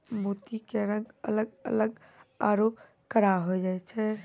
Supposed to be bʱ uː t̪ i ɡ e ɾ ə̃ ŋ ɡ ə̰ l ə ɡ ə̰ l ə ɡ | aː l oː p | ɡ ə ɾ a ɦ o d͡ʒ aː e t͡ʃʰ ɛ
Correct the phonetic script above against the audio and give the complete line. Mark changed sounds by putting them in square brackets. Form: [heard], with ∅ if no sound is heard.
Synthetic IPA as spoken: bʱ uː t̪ i [k] e ɾ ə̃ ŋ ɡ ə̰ l ə ɡ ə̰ l ə ɡ | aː [ɾ] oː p | [k] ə ɾ a ɦ o d͡ʒ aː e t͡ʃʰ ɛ